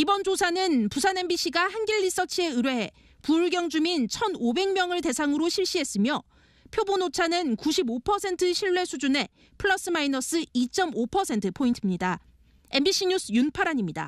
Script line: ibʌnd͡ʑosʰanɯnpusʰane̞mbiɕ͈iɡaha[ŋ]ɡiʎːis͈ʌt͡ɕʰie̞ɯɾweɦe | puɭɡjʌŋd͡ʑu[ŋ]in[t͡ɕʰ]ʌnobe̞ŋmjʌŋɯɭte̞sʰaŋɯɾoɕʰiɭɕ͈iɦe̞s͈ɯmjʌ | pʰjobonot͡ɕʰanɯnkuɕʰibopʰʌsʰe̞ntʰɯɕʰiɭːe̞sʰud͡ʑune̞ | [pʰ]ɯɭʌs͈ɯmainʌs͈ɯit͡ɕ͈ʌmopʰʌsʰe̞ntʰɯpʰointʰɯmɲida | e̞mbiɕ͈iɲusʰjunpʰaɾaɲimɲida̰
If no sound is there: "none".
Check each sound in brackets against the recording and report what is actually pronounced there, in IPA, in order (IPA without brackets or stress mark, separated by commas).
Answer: n, m, t͡ɕʰ, pʰ